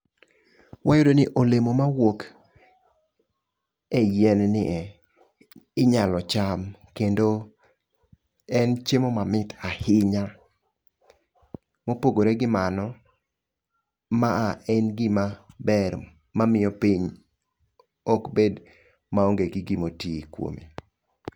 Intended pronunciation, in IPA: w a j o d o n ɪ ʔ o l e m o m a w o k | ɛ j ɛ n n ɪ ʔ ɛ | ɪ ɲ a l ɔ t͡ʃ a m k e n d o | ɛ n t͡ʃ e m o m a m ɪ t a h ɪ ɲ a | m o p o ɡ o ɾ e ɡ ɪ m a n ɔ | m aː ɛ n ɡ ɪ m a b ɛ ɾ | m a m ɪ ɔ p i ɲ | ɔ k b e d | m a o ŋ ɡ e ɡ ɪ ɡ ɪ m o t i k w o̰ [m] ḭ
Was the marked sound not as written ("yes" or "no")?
no